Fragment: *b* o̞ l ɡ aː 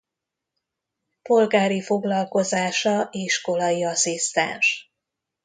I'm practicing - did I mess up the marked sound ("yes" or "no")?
yes